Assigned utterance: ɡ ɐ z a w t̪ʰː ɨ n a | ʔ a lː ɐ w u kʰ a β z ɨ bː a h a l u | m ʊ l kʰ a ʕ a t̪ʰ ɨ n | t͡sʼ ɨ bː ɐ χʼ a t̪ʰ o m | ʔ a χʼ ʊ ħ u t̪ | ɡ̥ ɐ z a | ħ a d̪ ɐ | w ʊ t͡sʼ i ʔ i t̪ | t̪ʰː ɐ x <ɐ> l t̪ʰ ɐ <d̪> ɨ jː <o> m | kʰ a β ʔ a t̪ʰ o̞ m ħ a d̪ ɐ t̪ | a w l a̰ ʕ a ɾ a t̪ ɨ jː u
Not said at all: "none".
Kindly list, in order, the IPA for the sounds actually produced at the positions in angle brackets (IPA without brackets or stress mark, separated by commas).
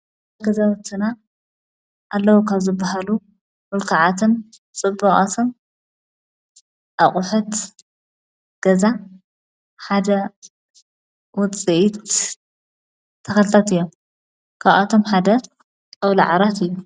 ɐ, t̪, o